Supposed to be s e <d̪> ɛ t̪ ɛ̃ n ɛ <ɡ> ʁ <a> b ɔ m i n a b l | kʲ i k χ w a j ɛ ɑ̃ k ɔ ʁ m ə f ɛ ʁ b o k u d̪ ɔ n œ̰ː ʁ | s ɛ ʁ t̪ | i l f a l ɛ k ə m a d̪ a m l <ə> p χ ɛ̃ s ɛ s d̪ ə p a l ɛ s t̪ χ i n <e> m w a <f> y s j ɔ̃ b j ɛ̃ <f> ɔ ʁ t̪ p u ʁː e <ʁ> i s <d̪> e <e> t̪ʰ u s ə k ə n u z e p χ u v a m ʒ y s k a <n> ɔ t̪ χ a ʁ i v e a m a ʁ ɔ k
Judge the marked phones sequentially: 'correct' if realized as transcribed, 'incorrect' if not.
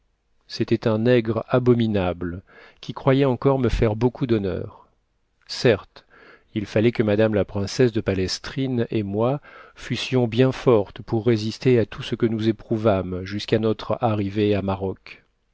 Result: incorrect, correct, correct, incorrect, correct, correct, correct, incorrect, incorrect, incorrect, correct

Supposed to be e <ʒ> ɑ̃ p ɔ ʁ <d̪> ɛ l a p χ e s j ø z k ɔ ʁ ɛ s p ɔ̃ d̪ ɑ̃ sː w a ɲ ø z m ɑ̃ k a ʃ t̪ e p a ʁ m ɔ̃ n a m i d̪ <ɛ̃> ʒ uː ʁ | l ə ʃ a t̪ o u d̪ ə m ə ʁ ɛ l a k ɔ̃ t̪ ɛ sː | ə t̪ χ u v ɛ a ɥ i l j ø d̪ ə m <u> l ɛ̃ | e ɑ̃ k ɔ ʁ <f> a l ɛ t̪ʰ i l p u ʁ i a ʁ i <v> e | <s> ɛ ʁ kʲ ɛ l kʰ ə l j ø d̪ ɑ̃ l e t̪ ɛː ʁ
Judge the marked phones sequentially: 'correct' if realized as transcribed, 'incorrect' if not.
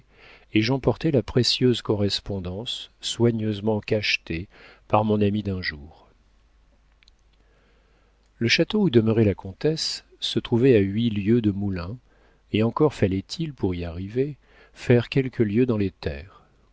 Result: correct, incorrect, correct, correct, correct, correct, incorrect

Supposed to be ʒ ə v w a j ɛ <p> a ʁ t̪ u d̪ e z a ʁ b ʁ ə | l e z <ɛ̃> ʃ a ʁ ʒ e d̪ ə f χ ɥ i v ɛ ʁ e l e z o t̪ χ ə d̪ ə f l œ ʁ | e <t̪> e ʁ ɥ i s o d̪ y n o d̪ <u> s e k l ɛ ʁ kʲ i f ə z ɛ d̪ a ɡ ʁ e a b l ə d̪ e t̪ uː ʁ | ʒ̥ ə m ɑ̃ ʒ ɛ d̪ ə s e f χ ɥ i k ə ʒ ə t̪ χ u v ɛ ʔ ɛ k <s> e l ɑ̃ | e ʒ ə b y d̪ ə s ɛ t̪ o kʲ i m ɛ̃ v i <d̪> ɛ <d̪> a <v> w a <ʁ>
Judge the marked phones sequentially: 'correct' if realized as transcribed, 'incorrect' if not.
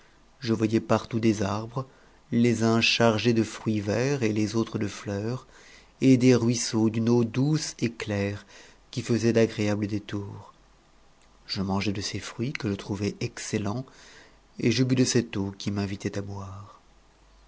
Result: correct, correct, incorrect, correct, correct, incorrect, incorrect, incorrect, correct

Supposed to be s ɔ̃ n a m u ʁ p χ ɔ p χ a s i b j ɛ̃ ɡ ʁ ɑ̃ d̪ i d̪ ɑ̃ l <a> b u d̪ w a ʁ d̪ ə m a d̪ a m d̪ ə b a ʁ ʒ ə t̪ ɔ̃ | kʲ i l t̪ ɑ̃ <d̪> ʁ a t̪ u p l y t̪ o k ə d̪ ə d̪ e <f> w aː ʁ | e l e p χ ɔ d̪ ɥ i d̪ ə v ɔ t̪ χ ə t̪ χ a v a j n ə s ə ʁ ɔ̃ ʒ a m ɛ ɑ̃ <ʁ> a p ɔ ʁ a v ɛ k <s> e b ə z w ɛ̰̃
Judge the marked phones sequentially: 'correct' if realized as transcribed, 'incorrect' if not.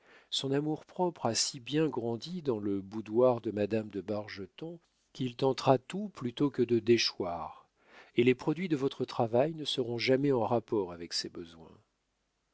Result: incorrect, incorrect, incorrect, correct, correct

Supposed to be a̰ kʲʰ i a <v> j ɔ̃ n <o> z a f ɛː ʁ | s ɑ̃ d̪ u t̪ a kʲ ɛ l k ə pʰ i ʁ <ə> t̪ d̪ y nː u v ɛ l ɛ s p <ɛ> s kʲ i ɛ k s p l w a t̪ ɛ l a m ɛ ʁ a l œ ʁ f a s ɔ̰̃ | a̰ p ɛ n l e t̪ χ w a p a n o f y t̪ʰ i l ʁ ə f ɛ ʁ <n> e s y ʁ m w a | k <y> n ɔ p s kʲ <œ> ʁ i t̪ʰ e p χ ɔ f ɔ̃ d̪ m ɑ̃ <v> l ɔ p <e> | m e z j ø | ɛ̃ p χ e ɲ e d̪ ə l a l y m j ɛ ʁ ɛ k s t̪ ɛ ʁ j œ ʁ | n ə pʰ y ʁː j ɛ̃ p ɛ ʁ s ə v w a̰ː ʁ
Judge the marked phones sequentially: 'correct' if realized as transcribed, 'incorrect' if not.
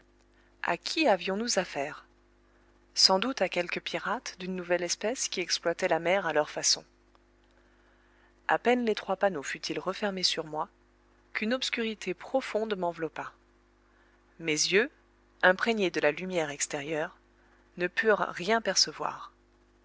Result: correct, incorrect, incorrect, correct, incorrect, correct, incorrect, correct, incorrect

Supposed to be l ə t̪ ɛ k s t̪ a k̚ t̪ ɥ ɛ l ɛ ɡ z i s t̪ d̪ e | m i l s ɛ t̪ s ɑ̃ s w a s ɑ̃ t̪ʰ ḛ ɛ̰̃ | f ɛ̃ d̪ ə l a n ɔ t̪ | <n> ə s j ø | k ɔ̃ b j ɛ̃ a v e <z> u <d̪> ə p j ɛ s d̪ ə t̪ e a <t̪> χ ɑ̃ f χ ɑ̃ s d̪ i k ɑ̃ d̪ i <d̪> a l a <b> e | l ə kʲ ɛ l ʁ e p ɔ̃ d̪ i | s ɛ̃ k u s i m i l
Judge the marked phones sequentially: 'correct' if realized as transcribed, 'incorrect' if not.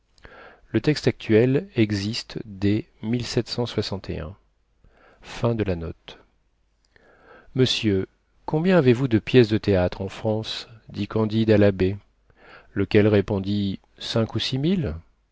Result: incorrect, incorrect, correct, correct, correct, correct

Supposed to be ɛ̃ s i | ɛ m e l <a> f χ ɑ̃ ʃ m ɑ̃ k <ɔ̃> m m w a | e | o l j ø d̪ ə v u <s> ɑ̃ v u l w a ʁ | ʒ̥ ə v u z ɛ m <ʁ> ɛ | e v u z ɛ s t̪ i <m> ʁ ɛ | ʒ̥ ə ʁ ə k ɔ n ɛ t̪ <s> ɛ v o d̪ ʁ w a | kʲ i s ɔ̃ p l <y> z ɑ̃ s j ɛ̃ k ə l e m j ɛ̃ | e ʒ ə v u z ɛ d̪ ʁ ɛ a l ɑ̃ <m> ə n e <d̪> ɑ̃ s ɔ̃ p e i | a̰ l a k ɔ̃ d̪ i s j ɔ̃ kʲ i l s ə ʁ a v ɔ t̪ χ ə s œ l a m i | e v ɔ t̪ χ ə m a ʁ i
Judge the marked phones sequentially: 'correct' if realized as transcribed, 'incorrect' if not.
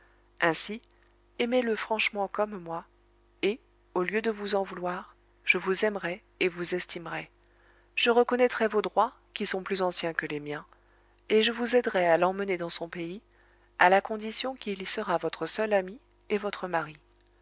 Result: incorrect, incorrect, incorrect, correct, correct, incorrect, correct, correct, correct

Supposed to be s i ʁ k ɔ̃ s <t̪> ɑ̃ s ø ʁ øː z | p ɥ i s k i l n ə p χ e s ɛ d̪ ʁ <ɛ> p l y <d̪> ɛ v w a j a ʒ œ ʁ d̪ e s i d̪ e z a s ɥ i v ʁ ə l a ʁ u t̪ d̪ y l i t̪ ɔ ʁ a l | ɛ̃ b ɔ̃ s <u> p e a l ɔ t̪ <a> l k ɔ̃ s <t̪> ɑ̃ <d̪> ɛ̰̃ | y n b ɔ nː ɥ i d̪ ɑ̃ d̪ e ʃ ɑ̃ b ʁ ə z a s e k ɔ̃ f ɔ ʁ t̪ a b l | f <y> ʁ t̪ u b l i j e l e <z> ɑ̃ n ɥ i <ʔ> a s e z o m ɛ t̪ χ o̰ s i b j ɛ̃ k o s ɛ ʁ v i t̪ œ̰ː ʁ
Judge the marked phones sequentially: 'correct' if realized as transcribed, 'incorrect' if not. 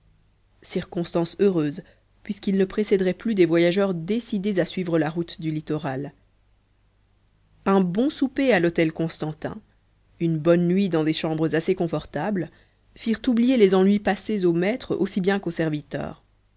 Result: correct, correct, correct, correct, incorrect, correct, incorrect, incorrect, correct, incorrect

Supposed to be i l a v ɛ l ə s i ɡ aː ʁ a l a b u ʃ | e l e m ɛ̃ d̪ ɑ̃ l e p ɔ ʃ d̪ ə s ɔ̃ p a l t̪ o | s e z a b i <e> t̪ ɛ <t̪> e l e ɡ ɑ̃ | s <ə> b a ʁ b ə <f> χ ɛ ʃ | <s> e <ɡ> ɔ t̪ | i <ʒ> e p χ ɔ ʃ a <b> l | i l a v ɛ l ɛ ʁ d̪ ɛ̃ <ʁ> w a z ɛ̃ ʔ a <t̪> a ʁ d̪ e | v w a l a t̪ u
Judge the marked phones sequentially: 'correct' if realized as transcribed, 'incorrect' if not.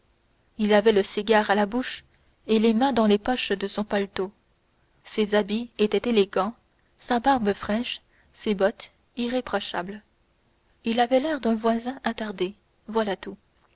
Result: correct, correct, incorrect, correct, correct, incorrect, incorrect, correct, incorrect, correct

